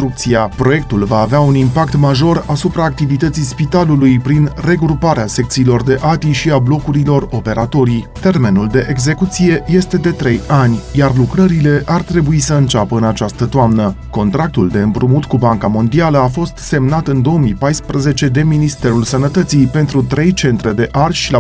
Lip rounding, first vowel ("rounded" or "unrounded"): rounded